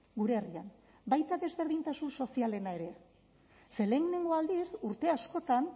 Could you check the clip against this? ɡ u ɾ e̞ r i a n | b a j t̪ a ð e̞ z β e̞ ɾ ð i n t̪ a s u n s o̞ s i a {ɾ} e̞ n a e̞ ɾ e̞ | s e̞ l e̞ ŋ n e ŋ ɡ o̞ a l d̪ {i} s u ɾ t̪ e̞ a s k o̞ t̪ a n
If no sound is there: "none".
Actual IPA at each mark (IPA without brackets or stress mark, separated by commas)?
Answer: l, i